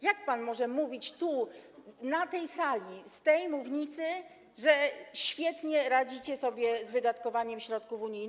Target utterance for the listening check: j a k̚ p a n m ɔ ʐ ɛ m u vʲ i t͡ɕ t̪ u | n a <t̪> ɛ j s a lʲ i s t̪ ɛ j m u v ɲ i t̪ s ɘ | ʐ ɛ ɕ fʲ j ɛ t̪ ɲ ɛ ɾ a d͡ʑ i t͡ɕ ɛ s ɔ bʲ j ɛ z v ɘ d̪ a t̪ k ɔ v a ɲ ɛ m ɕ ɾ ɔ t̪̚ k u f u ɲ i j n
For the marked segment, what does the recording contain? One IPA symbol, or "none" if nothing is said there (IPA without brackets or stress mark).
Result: t̪